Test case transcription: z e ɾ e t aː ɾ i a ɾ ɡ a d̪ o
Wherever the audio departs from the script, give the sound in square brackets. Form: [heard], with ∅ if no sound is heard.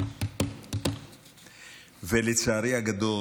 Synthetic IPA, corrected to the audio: [v] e [l] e [t͡s] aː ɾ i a [∅] ɡ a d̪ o

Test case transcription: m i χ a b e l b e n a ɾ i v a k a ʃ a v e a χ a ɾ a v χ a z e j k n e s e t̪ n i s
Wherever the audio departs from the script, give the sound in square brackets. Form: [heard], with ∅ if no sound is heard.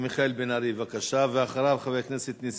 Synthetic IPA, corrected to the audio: m i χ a [∅] e l b e n a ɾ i v a k a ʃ a v e a χ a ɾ a v χ a [v] e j k n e s e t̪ n i s

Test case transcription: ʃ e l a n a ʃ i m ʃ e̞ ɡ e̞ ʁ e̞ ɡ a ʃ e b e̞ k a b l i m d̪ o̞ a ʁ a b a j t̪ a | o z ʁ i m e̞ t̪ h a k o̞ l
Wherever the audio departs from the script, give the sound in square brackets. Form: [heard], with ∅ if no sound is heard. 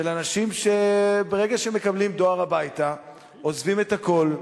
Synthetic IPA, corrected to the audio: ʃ e l a n a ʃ i m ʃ e̞ [b] e̞ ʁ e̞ ɡ a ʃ e [m] e̞ k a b l i m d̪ o̞ a ʁ a b a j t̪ a | o z [v] i m e̞ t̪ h a k o̞ l

